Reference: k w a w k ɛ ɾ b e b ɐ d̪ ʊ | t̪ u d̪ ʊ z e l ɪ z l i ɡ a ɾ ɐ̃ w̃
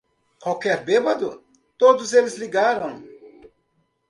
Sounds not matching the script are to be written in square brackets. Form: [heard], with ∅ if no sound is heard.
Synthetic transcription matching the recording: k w a w k ɛ ɾ b e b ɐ d̪ ʊ | t̪ [o] d̪ ʊ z e l ɪ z l i ɡ a ɾ ɐ̃ w̃